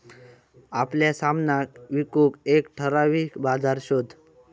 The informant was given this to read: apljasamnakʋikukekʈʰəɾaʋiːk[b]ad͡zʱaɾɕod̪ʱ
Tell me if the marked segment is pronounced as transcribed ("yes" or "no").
yes